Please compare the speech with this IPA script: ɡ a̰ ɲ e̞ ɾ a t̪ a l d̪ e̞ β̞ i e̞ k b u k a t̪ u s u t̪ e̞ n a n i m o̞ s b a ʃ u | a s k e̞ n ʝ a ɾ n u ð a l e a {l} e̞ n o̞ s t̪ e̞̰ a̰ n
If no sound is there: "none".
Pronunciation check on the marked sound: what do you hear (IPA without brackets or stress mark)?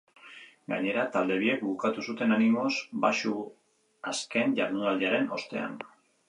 ɾ